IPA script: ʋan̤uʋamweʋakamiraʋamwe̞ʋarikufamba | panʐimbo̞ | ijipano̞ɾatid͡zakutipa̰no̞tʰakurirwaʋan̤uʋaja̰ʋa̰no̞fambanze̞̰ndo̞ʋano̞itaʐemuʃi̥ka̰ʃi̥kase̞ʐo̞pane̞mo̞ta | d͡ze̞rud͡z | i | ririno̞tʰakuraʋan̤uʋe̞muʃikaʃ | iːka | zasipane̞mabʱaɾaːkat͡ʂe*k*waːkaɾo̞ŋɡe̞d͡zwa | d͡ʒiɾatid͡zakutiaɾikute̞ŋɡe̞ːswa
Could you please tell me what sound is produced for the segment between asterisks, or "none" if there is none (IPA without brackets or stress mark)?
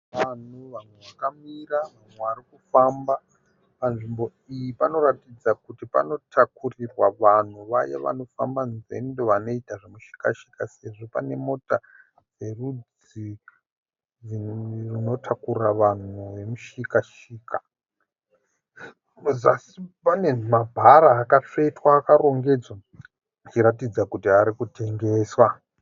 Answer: t